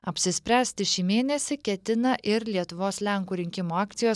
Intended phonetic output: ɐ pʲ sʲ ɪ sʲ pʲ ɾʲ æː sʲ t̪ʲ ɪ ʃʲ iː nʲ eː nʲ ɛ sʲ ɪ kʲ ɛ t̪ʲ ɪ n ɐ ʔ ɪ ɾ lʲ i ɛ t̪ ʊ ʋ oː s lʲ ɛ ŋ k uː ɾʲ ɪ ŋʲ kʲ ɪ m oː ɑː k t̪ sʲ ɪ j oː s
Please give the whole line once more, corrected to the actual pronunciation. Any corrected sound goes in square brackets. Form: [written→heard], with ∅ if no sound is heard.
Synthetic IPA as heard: ɐ pʲ sʲ ɪ sʲ pʲ ɾʲ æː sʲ t̪ʲ ɪ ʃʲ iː [nʲ→mʲ] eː nʲ ɛ sʲ ɪ kʲ ɛ t̪ʲ ɪ n ɐ ʔ ɪ ɾ lʲ i ɛ t̪ ʊ ʋ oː s lʲ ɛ ŋ k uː ɾʲ ɪ ŋʲ kʲ ɪ m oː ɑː k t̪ sʲ ɪ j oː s

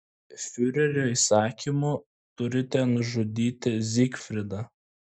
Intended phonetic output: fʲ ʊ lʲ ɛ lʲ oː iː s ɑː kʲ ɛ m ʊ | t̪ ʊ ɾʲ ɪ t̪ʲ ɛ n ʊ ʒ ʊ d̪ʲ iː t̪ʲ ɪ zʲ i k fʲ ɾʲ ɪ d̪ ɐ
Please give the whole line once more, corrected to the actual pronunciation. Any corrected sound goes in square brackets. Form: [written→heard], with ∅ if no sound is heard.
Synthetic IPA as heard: fʲ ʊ [lʲ→ɾʲ] ɛ [lʲ→ɾʲ] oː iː s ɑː kʲ [ɛ→i] m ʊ | t̪ ʊ ɾʲ ɪ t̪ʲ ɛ n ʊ ʒ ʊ d̪ʲ iː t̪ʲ ɪ zʲ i k fʲ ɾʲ ɪ d̪ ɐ

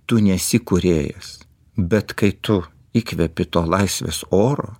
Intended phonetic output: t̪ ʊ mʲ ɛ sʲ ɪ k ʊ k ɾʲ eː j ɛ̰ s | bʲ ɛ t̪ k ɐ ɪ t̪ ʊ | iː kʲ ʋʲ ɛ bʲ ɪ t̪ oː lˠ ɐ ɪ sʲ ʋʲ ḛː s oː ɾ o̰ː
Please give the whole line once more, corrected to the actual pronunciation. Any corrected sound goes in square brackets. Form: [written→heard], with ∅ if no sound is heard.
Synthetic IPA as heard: t̪ ʊ [mʲ→nʲ] ɛ sʲ ɪ k ʊ [k→∅] ɾʲ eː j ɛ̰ s | bʲ ɛ t̪ k ɐ ɪ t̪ ʊ | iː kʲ ʋʲ ɛ [bʲ→pʲ] ɪ t̪ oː lˠ ɐ ɪ sʲ ʋʲ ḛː s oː ɾ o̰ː

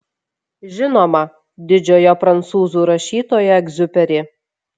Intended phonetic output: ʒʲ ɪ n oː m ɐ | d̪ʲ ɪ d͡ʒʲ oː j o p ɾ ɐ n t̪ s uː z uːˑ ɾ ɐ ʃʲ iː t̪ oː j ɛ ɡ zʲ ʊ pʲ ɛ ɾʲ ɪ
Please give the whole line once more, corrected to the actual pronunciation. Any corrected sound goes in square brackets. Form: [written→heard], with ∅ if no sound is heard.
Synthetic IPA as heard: ʒʲ ɪ n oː m ɐ | d̪ʲ ɪ d͡ʒʲ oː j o p ɾ ɐ n t̪ s uː z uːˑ ɾ ɐ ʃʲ iː t̪ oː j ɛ ɡ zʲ ʊ pʲ ɛ ɾʲ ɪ

